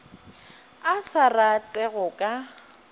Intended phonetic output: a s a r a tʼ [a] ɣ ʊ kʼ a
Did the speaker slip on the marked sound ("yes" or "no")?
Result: yes